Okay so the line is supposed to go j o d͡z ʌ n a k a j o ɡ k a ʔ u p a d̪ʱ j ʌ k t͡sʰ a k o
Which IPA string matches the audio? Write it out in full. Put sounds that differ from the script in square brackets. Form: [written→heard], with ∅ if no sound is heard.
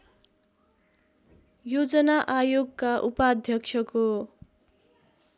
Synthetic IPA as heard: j o d͡z ʌ n a [k→ʔ] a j o ɡ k a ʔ u p a d̪ʱ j ʌ k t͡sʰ [a→ʌ] k o